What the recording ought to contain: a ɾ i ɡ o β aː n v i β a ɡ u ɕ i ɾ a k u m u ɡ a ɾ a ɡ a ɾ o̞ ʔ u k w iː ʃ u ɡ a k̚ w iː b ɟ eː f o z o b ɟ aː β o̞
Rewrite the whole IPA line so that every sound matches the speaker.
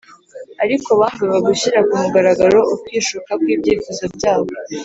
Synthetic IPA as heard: a ɾ i k o β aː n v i β a ɡ u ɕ i ɾ a k u m u ɡ a ɾ a ɡ a ɾ o̞ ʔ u k w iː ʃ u k a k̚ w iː b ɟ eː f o z o b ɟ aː β o̞